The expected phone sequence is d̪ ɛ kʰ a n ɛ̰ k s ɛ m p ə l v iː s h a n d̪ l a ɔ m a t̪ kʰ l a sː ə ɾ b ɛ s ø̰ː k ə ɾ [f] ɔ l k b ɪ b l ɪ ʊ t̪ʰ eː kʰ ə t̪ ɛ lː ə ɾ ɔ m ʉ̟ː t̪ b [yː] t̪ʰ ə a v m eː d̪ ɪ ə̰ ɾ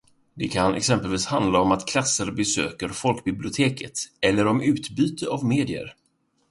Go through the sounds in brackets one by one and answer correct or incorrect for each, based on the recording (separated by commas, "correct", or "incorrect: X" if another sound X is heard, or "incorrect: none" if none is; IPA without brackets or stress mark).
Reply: correct, correct